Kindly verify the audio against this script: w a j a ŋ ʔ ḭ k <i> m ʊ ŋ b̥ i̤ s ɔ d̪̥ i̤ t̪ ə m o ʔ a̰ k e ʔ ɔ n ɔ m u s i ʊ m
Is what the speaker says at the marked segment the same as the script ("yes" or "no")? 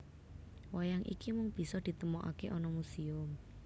yes